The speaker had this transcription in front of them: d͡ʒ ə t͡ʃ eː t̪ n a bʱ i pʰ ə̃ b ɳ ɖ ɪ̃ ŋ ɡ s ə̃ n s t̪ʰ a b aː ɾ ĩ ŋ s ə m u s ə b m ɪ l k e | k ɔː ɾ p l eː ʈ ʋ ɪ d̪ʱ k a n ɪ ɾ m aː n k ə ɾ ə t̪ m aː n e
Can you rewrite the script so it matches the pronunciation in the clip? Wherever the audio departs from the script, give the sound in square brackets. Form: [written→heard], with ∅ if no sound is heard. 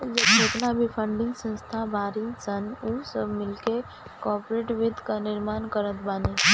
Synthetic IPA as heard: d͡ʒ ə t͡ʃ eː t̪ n a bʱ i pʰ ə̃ [b→∅] ɳ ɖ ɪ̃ ŋ ɡ s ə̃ n s t̪ʰ a b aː ɾ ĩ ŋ s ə [m→n] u s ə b m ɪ l k e | k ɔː ɾ p [l→ɾ] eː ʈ ʋ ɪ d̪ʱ k a n ɪ ɾ m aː n k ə ɾ ə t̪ [m→b] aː n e